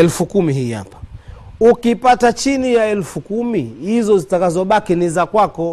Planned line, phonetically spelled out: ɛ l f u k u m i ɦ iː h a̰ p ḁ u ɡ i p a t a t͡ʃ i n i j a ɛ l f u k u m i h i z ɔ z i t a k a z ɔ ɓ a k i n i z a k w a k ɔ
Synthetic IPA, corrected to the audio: ɛ l f u k u m i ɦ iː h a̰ p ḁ u k i p a t a t͡ʃ i n i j a ɛ l f u k u m i h i z ɔ z i t a k a z ɔ ɓ a k i n i z a k w a k ɔ